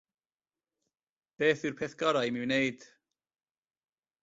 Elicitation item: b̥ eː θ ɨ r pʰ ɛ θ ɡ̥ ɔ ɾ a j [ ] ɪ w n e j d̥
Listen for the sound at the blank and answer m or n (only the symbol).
m